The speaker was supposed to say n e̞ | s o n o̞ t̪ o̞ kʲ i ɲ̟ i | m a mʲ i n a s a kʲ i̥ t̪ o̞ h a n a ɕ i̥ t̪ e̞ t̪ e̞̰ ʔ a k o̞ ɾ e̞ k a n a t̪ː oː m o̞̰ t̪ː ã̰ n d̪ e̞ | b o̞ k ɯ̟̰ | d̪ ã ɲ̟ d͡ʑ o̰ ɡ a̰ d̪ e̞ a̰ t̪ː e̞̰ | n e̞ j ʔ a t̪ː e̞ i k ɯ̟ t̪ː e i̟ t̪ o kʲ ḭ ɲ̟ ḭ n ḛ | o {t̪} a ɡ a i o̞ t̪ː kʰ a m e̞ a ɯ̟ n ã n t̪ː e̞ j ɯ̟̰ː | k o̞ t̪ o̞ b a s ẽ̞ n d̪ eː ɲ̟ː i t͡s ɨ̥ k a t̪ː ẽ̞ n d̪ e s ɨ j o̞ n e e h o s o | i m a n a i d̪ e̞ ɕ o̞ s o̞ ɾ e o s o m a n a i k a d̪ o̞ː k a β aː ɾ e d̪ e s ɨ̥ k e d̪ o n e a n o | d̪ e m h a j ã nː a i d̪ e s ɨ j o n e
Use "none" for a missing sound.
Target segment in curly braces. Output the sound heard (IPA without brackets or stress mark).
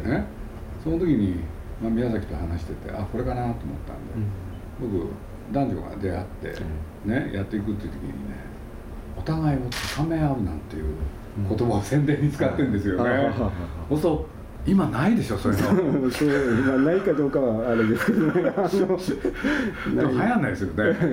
t̪